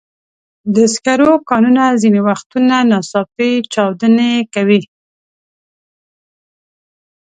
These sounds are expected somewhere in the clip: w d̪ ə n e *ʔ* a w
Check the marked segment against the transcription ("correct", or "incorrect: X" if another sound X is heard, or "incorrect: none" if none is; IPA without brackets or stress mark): incorrect: k